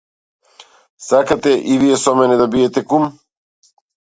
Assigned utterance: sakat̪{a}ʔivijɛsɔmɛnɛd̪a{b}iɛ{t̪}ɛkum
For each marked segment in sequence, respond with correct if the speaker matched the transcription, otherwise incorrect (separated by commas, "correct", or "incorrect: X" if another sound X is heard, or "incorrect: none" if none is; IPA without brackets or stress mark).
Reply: incorrect: ɛ, correct, correct